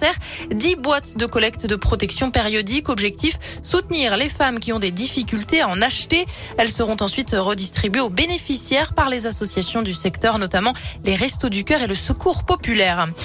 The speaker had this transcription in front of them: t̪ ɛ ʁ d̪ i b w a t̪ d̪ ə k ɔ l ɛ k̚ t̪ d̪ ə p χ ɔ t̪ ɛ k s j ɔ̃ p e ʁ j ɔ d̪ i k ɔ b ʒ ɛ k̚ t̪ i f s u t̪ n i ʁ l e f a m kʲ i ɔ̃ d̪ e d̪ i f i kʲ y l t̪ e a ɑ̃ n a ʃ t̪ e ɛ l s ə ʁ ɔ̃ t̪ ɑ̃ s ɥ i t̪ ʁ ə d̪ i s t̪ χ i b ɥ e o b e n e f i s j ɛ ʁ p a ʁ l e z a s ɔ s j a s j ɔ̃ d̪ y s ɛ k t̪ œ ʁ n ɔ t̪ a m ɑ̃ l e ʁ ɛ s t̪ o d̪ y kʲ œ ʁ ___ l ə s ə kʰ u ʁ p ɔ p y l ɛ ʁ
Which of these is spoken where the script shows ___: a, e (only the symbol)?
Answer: e